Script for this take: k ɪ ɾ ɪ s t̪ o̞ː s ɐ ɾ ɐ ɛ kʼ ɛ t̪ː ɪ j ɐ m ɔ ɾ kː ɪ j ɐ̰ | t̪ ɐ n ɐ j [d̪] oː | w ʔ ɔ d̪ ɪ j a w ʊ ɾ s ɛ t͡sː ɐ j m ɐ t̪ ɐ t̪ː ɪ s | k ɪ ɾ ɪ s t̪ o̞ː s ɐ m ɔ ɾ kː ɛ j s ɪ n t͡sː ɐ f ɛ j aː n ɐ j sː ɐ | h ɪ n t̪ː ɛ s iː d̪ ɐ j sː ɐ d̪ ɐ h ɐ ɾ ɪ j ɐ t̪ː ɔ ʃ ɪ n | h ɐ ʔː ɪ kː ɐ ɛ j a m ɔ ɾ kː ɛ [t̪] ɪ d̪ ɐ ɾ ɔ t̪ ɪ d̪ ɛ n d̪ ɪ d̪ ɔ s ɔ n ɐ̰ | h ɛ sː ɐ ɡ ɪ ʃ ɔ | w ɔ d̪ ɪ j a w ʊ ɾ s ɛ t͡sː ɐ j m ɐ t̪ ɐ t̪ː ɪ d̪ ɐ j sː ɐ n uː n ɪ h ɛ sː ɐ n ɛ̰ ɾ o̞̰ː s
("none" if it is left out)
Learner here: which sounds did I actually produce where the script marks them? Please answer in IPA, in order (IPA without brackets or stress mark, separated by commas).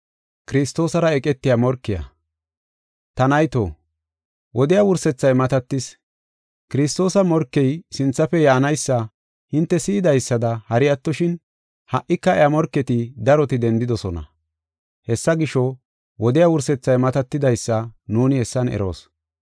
t̪, t̪